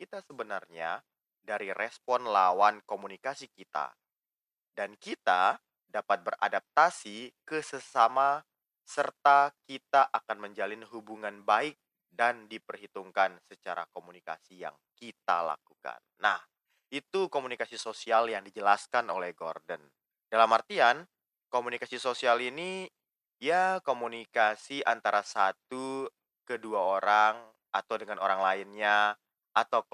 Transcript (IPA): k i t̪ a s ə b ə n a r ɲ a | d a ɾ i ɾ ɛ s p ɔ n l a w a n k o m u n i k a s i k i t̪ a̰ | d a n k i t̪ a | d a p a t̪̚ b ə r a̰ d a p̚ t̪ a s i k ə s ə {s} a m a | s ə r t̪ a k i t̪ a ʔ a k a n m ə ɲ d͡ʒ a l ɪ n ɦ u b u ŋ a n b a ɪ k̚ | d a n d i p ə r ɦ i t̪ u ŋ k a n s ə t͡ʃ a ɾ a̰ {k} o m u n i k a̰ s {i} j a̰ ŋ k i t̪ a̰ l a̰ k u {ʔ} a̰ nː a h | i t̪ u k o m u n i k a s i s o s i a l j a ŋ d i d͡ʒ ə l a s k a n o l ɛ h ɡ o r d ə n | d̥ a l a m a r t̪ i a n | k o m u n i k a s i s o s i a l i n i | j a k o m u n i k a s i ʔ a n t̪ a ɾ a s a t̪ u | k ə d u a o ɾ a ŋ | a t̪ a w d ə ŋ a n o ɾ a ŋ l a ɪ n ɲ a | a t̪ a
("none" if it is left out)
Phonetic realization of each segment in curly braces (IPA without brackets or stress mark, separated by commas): s, k, i, k